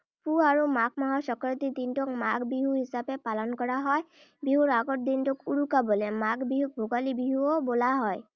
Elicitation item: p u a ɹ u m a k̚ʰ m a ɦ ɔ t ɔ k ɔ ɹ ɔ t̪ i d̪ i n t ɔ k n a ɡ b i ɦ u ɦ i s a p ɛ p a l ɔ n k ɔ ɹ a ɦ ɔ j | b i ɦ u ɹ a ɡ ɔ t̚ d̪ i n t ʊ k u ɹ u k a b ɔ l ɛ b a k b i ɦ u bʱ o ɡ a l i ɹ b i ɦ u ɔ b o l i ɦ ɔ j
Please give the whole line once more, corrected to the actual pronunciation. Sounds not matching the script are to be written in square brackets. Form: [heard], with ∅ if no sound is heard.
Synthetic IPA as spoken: p u a ɹ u m a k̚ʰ m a ɦ ɔ [s] ɔ k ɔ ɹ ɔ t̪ i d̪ i n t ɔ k [m] a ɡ b i ɦ u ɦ i s a p ɛ p a l ɔ n k ɔ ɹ a ɦ ɔ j | b i ɦ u ɹ a ɡ ɔ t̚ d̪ i n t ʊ k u ɹ u k a b ɔ l ɛ [m] a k b i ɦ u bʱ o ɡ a l i [∅] b i ɦ u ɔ b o l [a] ɦ ɔ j